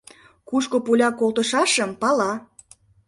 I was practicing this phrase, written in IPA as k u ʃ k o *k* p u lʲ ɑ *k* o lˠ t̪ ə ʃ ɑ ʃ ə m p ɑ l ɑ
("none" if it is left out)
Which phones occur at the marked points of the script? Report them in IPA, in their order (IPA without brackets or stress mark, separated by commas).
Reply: none, k